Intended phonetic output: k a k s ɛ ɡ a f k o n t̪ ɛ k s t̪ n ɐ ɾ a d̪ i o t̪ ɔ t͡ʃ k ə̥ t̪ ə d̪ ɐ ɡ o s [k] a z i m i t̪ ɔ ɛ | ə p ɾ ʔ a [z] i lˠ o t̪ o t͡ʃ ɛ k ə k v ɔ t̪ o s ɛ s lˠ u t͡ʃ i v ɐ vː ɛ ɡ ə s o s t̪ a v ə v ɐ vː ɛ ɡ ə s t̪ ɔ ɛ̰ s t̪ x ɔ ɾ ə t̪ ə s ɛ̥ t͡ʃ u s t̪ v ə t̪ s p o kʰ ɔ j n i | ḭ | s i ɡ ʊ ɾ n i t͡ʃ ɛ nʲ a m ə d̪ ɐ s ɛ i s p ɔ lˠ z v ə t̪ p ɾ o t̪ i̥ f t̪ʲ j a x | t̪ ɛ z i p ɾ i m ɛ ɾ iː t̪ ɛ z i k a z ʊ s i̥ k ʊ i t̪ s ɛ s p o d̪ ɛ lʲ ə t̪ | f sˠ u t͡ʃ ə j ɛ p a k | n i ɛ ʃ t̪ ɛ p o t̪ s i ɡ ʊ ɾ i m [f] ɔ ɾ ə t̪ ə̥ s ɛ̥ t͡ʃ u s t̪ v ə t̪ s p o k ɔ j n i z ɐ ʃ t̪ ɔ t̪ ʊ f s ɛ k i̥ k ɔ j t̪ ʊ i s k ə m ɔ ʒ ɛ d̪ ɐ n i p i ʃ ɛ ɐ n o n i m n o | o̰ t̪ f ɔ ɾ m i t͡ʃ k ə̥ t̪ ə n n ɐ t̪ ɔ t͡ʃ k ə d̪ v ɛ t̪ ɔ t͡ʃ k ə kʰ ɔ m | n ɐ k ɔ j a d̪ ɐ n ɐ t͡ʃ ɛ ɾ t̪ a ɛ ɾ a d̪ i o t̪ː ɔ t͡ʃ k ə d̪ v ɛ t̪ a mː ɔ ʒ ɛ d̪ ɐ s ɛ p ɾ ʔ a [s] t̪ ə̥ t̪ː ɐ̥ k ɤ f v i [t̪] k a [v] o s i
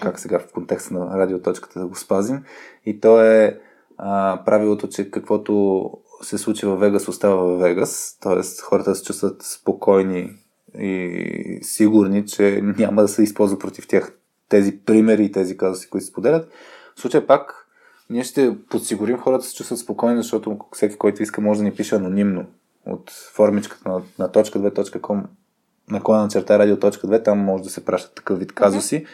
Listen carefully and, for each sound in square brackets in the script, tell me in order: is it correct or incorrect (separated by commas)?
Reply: incorrect, incorrect, incorrect, incorrect, correct, incorrect